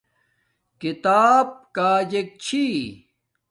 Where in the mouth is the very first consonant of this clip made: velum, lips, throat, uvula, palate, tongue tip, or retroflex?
velum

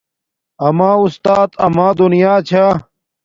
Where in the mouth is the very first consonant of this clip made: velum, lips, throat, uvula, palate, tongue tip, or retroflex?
lips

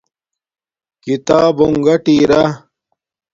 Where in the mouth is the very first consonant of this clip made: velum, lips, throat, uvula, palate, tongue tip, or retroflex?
velum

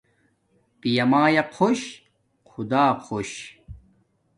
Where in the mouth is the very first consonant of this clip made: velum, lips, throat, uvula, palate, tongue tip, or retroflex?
lips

